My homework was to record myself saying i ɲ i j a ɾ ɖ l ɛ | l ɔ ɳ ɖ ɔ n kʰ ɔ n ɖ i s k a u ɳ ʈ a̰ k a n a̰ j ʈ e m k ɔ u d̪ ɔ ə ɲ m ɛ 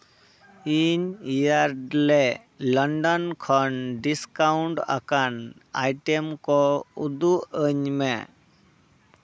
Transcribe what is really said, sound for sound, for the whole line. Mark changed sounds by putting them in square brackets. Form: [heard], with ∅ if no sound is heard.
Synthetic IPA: i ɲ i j a ɾ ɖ l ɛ | l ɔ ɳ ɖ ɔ n kʰ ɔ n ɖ i s k a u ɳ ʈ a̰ k a n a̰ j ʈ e m k ɔ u d̪ [u] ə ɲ m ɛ